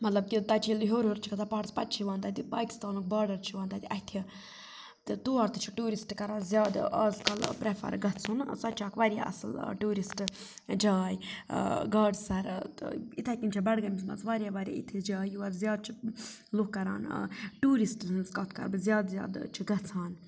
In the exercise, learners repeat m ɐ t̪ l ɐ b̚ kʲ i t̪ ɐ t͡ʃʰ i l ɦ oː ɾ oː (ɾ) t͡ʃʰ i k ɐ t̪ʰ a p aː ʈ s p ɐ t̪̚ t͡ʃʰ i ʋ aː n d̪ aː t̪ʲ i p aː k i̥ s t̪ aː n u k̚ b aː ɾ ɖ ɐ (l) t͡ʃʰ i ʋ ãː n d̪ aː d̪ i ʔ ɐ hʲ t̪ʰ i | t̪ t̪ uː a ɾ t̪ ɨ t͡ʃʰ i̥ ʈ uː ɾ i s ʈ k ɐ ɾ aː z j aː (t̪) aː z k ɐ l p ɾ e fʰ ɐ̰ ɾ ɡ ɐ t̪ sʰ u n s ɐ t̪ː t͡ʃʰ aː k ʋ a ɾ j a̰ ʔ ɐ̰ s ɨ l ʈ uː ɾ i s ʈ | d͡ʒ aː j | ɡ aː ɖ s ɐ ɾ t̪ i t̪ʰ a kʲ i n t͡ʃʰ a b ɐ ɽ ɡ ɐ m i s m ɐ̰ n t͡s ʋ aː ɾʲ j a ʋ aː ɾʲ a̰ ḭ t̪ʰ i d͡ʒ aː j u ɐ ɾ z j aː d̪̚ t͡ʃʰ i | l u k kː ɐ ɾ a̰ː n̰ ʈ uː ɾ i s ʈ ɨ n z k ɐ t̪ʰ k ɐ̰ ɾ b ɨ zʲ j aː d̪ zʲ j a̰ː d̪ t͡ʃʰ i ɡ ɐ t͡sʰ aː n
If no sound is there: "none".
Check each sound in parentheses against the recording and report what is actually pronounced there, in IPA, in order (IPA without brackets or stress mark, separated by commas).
ɾ, ɾ, d̪